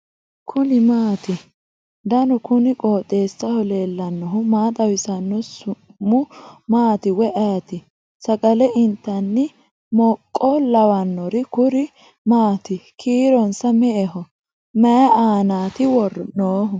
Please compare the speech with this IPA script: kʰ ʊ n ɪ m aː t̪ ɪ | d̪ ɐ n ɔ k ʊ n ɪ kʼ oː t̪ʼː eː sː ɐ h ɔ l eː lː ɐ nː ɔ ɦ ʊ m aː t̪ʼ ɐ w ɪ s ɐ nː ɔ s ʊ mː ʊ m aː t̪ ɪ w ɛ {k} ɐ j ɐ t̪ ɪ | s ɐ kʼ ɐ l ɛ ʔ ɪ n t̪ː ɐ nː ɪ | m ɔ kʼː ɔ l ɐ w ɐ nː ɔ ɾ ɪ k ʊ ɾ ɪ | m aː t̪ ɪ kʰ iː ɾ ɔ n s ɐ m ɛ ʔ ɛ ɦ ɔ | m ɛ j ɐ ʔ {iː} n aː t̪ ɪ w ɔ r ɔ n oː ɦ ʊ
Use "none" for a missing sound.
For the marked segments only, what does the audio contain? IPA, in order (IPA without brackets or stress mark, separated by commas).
ʔ, aː